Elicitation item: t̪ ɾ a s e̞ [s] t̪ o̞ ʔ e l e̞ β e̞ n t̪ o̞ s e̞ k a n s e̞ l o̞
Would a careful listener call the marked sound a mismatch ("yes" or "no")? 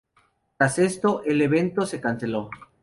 no